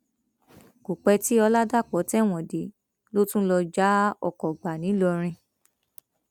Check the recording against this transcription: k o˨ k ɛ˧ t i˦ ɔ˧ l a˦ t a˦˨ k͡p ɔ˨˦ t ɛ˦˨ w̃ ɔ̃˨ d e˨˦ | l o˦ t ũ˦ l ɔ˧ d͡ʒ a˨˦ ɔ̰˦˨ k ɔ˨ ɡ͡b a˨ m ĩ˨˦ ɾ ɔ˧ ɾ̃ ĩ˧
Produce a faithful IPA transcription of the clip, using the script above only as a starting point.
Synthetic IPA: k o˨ k͡p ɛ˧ t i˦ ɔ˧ l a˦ d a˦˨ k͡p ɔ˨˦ t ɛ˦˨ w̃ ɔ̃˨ d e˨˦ | l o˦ t ũ˦ l ɔ˧ d͡ʒ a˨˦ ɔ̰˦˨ k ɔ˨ ɡ͡b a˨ n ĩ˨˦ l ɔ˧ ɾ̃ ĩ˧